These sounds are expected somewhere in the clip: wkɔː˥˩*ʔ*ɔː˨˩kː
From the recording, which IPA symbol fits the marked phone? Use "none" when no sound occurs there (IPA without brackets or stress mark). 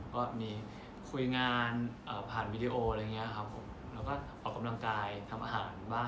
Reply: ʔ